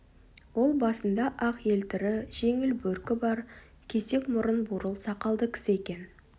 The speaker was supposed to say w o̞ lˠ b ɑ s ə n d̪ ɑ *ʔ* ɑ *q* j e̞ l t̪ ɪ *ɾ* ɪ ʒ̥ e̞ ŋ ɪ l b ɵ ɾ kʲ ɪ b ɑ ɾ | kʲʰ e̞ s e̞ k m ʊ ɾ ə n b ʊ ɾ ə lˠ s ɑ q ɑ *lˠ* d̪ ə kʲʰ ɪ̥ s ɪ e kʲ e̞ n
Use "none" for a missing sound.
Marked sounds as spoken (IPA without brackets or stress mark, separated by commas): ʔ, q, ɾ, lˠ